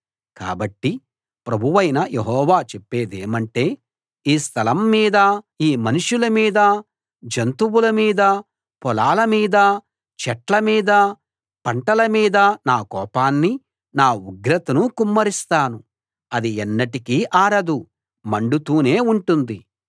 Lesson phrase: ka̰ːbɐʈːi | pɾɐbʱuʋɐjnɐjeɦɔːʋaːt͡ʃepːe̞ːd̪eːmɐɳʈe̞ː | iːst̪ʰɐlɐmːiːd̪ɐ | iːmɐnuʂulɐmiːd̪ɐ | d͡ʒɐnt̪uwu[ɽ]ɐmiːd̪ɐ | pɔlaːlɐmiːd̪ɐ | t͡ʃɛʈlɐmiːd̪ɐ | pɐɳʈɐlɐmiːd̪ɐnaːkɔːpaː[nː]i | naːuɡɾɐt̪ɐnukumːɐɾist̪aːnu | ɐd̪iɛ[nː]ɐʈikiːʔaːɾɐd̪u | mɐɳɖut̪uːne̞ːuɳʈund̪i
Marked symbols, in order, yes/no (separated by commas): no, yes, yes